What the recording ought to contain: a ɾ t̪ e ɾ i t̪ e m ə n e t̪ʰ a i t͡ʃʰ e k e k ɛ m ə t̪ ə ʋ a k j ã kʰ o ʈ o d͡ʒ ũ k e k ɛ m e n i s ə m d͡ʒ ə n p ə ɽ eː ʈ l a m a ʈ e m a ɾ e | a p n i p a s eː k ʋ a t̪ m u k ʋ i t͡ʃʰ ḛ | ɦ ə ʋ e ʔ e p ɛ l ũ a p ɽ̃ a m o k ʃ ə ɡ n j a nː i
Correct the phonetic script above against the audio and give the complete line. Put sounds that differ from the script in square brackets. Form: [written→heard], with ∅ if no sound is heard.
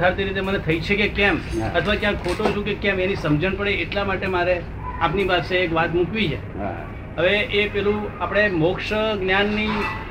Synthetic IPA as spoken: a ɾ t̪ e ɾ i t̪ e m ə n e t̪ʰ [a→ə] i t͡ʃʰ e k e k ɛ m ə [t̪→t̪ʰ] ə ʋ a k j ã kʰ o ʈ o d͡ʒ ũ k e k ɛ m e n i s ə m d͡ʒ ə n p ə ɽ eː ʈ l a m a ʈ e m a ɾ e | a p n i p a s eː k ʋ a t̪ m u k ʋ i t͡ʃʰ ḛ | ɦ ə ʋ e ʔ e p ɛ l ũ a p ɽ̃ [a→e] m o k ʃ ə ɡ n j a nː i